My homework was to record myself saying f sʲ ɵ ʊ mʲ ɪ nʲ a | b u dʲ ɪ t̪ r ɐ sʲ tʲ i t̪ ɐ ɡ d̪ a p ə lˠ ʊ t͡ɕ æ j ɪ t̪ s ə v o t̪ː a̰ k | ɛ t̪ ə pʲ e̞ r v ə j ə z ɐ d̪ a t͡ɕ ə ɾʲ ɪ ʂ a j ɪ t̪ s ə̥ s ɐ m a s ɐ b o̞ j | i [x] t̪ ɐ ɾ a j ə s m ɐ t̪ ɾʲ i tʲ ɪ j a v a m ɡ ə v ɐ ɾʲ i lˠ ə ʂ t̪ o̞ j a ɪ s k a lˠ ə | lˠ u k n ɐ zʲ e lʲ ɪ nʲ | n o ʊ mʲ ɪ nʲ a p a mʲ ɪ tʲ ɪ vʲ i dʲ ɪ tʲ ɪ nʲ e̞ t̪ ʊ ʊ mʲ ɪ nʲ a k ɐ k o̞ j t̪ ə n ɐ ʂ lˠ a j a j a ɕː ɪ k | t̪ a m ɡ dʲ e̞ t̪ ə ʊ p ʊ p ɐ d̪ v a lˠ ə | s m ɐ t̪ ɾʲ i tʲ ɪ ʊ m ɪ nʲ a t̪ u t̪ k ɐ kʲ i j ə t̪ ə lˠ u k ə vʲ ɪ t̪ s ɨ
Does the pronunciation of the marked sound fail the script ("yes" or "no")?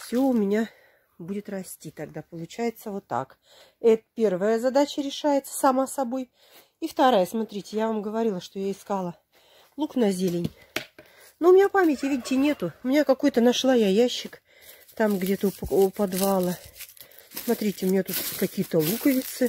yes